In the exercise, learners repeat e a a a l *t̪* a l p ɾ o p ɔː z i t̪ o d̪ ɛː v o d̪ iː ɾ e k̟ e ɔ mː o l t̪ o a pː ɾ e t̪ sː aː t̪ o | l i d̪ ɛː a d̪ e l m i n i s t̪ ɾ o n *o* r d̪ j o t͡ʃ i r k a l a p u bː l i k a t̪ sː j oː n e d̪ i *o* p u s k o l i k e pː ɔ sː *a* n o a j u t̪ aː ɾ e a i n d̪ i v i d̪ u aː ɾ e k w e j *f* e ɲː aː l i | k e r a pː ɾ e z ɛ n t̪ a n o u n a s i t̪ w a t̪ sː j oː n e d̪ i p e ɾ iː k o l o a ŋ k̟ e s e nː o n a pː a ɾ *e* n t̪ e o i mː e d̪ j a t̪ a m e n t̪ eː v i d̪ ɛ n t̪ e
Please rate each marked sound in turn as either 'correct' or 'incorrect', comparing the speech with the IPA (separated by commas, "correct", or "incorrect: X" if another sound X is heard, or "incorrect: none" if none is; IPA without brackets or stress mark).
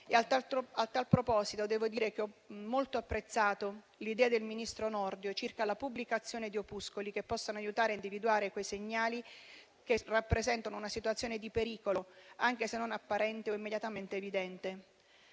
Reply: correct, incorrect: ɔ, correct, correct, incorrect: s, incorrect: ɛ